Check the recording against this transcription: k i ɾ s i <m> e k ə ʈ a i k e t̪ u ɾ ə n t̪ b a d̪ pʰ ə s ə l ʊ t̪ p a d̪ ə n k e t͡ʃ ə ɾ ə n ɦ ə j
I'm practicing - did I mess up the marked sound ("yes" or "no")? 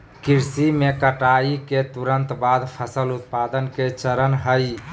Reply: no